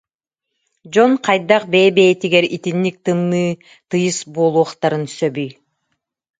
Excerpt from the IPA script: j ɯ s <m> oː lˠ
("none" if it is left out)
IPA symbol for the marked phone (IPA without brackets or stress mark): b